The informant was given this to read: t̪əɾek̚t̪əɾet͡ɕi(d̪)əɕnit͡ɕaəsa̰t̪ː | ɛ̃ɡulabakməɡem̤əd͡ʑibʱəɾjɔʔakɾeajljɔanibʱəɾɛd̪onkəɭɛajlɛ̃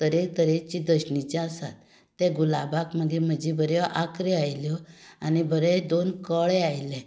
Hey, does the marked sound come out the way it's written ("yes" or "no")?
yes